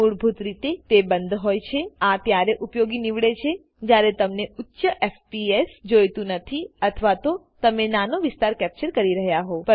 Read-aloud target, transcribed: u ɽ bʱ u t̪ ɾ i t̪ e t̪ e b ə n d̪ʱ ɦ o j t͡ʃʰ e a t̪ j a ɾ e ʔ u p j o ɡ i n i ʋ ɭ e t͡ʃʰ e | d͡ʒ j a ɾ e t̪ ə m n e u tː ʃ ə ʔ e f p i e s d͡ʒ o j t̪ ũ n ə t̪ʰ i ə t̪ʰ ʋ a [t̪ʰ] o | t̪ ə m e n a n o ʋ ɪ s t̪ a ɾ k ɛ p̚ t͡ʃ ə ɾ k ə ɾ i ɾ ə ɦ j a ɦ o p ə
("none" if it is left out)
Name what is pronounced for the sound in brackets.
t̪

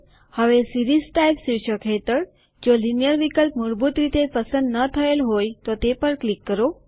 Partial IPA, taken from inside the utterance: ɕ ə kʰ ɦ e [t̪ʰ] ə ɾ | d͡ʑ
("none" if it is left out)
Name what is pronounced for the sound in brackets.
t̪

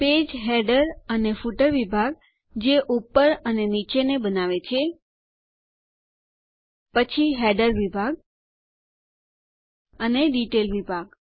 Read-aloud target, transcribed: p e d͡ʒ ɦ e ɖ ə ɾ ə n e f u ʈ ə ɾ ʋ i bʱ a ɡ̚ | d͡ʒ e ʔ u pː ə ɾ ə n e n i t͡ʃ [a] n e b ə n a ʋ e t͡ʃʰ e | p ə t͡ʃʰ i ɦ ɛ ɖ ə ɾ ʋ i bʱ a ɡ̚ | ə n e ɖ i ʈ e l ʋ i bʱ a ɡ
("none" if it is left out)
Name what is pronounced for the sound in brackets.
e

